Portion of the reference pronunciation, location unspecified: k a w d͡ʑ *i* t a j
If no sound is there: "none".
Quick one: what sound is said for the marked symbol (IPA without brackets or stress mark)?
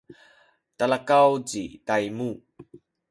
i